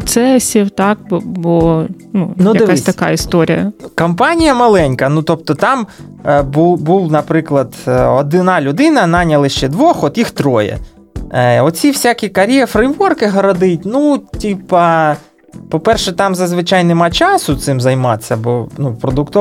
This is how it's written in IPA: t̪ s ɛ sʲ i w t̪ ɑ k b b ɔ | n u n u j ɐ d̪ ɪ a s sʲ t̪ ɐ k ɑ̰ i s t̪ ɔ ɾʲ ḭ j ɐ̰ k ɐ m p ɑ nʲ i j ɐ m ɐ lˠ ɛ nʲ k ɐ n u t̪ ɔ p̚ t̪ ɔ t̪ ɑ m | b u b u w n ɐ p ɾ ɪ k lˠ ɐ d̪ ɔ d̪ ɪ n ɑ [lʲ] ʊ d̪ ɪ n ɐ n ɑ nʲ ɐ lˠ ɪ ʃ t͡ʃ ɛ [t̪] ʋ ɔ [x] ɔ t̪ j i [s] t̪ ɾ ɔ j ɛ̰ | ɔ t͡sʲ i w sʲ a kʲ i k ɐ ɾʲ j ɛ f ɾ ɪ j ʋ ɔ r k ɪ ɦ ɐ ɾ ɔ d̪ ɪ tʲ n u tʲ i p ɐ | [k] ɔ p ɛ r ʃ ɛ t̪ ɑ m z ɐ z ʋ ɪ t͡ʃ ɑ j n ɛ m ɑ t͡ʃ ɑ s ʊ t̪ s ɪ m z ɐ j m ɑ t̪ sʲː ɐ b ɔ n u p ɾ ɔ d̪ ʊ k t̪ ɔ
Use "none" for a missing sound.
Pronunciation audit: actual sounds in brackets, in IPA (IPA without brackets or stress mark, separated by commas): lʲ, d̪, x, x, p